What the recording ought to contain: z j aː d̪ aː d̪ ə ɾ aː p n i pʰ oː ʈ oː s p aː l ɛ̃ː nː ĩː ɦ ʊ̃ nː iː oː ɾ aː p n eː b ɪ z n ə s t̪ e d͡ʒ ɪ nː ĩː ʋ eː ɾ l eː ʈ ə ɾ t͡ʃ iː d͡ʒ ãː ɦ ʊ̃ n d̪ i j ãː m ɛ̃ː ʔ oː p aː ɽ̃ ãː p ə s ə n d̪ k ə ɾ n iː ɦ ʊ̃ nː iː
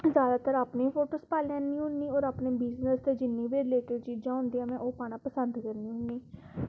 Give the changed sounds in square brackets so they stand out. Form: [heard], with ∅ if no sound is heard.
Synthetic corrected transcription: z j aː d̪ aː [t̪] ə ɾ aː p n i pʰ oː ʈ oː s p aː l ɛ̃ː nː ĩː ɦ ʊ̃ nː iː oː ɾ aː p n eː b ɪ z n ə s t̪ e d͡ʒ ɪ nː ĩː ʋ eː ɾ l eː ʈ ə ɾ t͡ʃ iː d͡ʒ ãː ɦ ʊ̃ n d̪ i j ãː m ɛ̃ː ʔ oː p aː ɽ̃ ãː p ə s ə n d̪ k ə ɾ n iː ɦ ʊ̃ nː iː